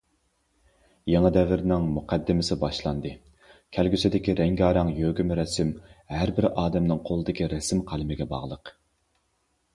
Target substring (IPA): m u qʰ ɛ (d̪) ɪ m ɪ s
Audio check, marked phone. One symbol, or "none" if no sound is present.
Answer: d̪ː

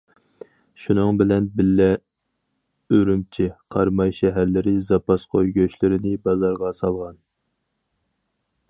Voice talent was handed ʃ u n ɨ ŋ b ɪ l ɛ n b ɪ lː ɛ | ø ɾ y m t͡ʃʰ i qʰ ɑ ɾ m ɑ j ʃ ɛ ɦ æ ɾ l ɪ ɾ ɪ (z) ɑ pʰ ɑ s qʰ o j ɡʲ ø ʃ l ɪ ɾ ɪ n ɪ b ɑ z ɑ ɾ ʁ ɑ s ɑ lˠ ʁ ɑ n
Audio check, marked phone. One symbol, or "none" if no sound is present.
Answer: z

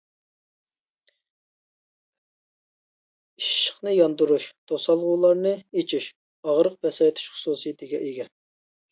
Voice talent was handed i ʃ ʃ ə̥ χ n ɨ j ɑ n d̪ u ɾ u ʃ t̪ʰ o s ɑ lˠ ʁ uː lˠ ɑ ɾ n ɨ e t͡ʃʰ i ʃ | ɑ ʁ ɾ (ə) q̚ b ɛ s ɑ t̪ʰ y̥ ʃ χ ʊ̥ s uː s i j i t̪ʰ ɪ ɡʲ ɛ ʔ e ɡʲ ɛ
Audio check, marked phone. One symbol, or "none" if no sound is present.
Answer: ə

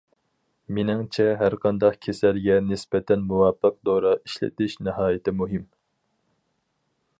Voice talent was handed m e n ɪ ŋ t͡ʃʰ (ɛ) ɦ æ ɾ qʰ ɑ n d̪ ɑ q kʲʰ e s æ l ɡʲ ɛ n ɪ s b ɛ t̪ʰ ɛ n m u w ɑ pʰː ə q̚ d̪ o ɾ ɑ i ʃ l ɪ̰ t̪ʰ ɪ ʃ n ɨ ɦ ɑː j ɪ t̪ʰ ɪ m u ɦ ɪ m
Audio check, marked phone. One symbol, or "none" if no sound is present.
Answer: ɛ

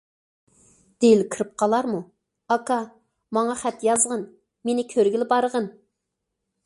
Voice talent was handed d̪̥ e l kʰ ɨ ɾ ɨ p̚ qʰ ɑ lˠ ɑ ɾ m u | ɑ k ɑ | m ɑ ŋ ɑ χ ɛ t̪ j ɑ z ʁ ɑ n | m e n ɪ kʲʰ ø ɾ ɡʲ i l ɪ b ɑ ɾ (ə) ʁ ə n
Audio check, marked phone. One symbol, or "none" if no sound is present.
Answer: ə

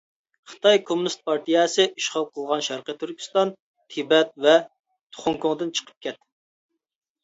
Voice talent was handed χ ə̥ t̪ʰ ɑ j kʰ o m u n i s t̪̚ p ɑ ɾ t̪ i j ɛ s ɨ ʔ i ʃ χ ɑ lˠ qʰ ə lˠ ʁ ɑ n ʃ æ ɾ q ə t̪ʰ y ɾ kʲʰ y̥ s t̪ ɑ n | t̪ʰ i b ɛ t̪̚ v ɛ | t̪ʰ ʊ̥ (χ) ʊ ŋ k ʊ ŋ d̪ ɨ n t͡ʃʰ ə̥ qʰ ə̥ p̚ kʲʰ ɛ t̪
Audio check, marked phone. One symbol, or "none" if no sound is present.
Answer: χ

